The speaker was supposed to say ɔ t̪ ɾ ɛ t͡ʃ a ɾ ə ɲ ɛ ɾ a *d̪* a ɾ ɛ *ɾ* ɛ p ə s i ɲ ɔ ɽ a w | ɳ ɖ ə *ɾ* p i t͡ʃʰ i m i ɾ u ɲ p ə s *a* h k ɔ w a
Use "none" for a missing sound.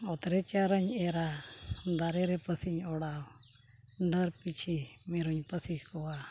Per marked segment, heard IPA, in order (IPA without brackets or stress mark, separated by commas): d̪, ɾ, ɾ, i